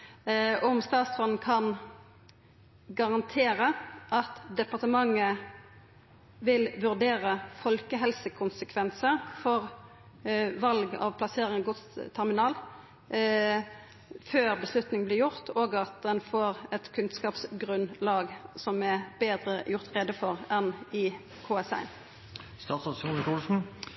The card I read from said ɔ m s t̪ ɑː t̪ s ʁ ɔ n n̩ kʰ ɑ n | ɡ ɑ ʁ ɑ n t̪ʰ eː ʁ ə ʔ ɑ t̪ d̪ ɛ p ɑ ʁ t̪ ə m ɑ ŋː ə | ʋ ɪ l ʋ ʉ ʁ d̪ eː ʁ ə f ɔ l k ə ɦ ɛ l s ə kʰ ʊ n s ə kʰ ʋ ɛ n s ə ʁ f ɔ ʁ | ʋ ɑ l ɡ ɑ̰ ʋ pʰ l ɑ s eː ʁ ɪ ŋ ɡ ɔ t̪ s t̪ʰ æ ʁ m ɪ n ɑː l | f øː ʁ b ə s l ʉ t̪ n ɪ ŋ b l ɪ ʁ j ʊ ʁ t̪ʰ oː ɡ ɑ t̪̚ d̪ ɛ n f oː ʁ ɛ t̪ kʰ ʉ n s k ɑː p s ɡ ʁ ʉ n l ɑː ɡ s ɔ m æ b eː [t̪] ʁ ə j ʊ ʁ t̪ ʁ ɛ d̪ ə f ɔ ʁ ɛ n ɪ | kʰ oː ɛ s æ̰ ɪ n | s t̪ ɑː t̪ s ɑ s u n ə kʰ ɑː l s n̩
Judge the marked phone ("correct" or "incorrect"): incorrect